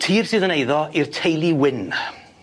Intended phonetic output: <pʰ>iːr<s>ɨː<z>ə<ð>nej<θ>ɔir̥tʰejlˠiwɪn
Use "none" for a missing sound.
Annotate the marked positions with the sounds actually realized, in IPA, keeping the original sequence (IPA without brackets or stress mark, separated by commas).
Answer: tʰ, s, ð, none, ð